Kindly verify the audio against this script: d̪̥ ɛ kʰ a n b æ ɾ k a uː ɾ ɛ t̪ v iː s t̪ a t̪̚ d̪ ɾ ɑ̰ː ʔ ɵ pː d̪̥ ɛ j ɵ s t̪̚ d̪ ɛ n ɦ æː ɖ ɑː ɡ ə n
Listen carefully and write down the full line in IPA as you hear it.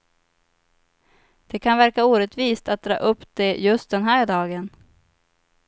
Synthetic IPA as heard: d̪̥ ɛ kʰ a n v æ ɾ k a uː ɾ ɛ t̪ v iː s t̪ a t̪̚ d̪ ɾ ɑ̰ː ʔ ɵ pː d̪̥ ɛ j ɵ s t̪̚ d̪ ɛ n ɦ æː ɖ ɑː ɡ ə n